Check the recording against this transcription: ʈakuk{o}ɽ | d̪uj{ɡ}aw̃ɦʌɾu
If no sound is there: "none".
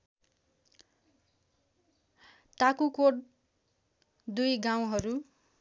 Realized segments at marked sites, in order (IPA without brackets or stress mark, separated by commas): o, ɡ